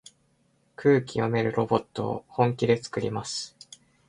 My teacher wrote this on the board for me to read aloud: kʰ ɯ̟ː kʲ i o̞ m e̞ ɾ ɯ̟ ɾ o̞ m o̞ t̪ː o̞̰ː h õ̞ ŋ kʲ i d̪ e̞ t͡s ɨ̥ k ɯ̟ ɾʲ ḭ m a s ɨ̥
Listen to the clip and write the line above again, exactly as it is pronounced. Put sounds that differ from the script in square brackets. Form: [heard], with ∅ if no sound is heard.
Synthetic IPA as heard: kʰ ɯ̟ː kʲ i o̞ m e̞ ɾ ɯ̟ ɾ o̞ [b] o̞ t̪ː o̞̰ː h õ̞ ŋ kʲ i d̪ e̞ t͡s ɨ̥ k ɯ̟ ɾʲ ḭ m a s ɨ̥

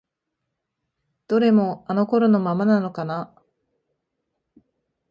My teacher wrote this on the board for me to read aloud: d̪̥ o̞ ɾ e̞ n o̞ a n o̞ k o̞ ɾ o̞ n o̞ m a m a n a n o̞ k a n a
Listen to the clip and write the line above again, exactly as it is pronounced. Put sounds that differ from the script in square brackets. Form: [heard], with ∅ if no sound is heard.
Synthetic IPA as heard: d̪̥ o̞ ɾ e̞ [m] o̞ a n o̞ k o̞ ɾ o̞ n o̞ m a m a n a n o̞ k a n a

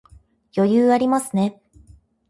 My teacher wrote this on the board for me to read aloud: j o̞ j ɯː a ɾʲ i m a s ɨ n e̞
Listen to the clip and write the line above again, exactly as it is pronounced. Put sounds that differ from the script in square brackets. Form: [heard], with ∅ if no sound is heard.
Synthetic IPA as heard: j o̞ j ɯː a ɾʲ i m a s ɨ n e̞

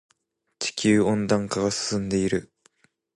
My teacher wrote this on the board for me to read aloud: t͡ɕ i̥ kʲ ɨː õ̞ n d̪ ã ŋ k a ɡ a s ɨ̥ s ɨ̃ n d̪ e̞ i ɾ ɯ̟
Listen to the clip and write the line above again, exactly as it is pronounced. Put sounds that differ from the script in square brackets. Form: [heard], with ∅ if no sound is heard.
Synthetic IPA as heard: t͡ɕ i̥ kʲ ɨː õ̞ n d̪ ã ŋ k a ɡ a s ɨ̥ s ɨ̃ n d̪ e̞ i ɾ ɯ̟

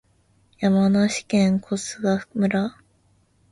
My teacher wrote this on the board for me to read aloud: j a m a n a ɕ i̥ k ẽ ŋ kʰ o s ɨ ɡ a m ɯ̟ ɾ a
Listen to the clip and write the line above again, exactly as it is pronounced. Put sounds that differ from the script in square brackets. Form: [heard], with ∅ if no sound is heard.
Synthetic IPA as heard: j a m a n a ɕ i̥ k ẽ ŋ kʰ o s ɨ ɡ a m ɯ̟ ɾ a

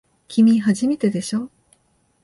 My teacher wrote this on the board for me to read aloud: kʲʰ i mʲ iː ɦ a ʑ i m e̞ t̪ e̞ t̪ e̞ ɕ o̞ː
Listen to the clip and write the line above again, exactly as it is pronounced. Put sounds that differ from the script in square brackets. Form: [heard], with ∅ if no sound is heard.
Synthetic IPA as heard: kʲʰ i mʲ [i] ɦ a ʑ i m e̞ t̪ e̞ [d̪] e̞ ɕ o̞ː

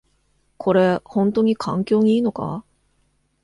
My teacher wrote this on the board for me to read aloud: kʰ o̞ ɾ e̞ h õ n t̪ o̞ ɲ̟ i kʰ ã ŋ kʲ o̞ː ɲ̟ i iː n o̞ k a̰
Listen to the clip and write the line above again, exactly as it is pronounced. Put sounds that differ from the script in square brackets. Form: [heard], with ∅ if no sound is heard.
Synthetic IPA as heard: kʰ o̞ ɾ e̞ h õ n t̪ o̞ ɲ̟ i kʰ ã ŋ kʲ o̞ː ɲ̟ i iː n o̞ k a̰

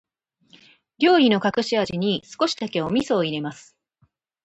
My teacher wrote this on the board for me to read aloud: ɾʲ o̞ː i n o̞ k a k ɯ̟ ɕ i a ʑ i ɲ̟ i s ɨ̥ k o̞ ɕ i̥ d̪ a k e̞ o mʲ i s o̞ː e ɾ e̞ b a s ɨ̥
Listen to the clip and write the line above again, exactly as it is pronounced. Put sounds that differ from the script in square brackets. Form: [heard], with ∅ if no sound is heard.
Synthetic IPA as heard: ɾʲ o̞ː i n o̞ k a k ɯ̟ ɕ i a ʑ i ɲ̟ i s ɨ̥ k o̞ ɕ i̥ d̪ a k e̞ o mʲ i s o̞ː [i] ɾ e̞ [m] a s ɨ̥

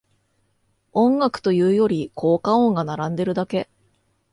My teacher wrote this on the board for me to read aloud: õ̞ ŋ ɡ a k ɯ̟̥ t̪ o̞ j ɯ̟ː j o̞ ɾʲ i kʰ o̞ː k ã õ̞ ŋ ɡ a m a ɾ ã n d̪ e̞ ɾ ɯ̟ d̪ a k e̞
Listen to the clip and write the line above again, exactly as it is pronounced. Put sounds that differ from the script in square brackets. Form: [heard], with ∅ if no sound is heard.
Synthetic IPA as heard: õ̞ ŋ ɡ a k ɯ̟̥ t̪ o̞ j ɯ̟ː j o̞ ɾʲ i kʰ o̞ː k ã õ̞ ŋ ɡ a [n] a ɾ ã n d̪ e̞ ɾ ɯ̟ d̪ a k e̞

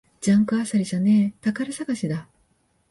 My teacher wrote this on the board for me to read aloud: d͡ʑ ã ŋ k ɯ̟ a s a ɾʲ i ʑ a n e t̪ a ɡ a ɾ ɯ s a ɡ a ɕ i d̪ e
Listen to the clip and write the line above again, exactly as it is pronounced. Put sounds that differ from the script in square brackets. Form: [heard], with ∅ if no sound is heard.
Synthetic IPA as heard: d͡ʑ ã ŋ k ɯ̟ a s a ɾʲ i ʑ a n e t̪ a [k] a ɾ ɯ s a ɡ a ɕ i d̪ [a]

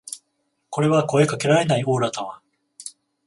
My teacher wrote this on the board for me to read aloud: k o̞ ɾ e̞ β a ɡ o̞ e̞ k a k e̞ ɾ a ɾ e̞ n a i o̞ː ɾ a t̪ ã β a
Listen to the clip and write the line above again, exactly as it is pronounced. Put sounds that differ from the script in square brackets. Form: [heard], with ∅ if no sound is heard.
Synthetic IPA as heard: k o̞ ɾ e̞ β a [k] o̞ e̞ k a k e̞ ɾ a ɾ e̞ n a i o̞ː ɾ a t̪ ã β a

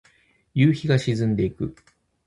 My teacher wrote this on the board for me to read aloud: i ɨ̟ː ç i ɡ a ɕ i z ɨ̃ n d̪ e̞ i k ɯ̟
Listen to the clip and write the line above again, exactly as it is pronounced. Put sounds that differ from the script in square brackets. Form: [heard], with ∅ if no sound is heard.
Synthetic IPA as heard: [j] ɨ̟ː ç i ɡ a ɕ i z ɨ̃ n d̪ e̞ i k ɯ̟

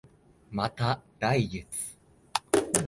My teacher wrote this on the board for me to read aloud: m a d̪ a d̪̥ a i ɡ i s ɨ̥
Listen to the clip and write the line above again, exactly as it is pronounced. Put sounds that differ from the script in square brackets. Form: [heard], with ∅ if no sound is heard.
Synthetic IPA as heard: m a [t̪] a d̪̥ a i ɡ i [t͡s] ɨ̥

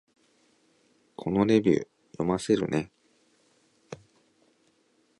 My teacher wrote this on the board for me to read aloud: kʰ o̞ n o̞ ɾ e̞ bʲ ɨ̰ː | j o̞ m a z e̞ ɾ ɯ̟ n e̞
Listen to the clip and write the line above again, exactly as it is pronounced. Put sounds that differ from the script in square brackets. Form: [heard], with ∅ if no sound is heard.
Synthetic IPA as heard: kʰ o̞ n o̞ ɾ e̞ bʲ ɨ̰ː | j o̞ m a [s] e̞ ɾ ɯ̟ n e̞

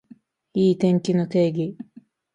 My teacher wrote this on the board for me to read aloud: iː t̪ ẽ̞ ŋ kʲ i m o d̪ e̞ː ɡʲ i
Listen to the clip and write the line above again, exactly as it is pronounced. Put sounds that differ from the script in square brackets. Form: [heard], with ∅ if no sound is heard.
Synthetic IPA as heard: iː t̪ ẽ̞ ŋ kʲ i [n] o [t̪] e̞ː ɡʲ i

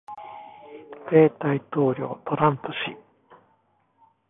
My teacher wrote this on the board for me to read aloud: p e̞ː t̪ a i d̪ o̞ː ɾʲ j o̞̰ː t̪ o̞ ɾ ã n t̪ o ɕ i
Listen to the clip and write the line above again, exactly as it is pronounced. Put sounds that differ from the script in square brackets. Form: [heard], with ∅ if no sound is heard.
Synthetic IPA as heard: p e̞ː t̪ a i [t̪] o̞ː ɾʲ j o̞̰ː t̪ o̞ ɾ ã n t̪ o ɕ i

